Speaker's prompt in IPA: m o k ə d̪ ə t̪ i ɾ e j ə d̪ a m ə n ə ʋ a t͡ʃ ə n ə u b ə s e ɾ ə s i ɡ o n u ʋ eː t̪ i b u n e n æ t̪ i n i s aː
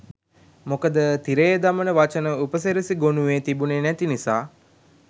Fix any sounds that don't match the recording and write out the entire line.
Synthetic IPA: m o k ə d̪ ə t̪ i ɾ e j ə d̪ a m ə n ə ʋ a t͡ʃ ə n ə u p ə s e ɾ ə s i ɡ o n u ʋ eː t̪ i b u n e n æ t̪ i n i s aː